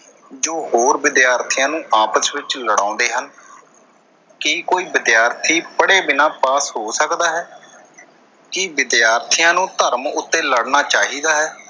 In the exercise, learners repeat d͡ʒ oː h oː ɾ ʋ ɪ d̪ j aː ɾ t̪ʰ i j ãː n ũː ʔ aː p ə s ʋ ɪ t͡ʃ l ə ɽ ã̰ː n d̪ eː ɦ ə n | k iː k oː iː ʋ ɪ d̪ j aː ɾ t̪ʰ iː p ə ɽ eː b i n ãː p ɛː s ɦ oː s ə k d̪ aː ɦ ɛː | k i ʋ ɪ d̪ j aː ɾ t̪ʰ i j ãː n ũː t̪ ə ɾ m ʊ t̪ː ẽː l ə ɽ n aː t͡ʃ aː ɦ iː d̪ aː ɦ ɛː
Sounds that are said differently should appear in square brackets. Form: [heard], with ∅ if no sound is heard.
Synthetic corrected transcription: d͡ʒ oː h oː ɾ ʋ ɪ d̪ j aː ɾ t̪ʰ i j ãː n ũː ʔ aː p ə s ʋ ɪ t͡ʃ l ə ɽ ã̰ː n d̪ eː ɦ ə n | k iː k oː iː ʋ ɪ d̪ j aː ɾ t̪ʰ iː p ə ɽ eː b [ɪ] n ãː p [aː] s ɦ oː s ə k d̪ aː ɦ ɛː | k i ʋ ɪ d̪ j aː ɾ t̪ʰ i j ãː n ũː t̪ ə ɾ m ʊ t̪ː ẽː l ə ɽ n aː t͡ʃ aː ɦ iː d̪ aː ɦ ɛː